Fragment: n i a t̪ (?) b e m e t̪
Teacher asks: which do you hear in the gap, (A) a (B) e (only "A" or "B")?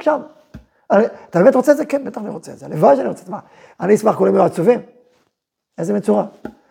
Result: A